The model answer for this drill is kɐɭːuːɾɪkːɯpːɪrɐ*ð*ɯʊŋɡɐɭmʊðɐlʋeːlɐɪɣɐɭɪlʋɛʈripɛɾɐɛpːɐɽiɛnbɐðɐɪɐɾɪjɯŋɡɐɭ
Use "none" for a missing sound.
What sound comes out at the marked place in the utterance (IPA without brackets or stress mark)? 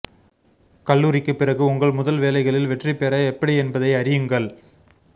ɣ